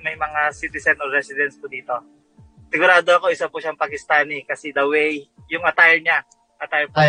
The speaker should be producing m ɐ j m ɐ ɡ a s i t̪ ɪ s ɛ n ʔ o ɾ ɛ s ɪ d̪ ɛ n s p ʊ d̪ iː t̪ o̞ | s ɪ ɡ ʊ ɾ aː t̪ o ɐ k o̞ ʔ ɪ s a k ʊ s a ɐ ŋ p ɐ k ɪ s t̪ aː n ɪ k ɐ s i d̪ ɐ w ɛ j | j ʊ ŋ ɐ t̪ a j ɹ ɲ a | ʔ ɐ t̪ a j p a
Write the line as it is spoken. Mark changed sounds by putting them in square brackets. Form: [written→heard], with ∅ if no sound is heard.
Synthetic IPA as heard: m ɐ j m ɐ [ɡ→ŋ] a s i t̪ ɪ s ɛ n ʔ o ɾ ɛ s ɪ d̪ ɛ n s p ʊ d̪ iː t̪ o̞ | s ɪ ɡ ʊ ɾ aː [t̪→d̪] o ɐ k o̞ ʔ ɪ s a [k→p] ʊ [s→ʃ] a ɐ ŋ p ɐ k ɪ s t̪ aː n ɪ k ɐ s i d̪ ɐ w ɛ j | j ʊ ŋ ɐ t̪ a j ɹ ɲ a | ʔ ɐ t̪ a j p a